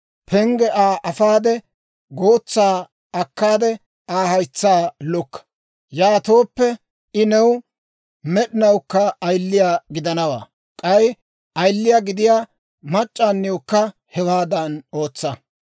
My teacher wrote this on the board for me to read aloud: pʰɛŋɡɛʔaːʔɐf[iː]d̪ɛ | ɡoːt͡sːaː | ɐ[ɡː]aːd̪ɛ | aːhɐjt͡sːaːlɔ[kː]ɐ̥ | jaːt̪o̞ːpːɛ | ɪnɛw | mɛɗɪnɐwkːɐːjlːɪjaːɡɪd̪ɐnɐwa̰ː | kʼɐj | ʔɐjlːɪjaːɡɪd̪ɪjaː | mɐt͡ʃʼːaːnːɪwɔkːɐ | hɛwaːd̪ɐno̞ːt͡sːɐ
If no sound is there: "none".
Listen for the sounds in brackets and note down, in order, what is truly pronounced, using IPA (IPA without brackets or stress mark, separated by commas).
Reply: aː, kː, kː